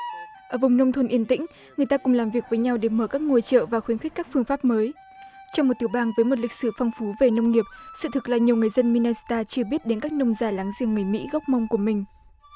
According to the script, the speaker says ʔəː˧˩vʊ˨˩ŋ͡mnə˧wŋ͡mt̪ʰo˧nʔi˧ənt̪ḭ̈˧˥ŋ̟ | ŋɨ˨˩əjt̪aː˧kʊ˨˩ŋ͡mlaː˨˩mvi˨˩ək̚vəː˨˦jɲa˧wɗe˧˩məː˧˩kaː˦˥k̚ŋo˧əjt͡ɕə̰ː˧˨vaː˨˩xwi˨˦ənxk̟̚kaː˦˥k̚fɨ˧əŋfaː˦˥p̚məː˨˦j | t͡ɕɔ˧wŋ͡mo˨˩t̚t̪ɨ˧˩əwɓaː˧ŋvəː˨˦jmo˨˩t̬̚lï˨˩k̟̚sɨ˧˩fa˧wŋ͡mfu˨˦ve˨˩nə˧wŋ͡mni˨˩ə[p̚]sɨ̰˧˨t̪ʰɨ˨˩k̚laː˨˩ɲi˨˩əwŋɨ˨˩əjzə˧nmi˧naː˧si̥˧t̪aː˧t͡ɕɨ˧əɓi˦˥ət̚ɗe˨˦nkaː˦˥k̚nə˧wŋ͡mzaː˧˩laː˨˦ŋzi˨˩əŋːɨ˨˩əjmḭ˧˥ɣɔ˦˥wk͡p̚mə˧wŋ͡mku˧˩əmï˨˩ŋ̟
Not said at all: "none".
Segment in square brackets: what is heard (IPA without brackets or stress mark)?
p̚